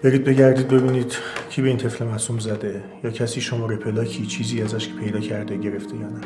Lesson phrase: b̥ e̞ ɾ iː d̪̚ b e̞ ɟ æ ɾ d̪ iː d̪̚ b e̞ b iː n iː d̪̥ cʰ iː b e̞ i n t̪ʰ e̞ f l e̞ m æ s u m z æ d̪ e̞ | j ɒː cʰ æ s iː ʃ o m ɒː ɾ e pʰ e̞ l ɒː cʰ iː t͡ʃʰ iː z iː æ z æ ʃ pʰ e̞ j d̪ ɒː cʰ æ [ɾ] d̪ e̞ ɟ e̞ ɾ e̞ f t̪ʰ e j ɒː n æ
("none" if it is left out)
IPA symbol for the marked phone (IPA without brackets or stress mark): ɾ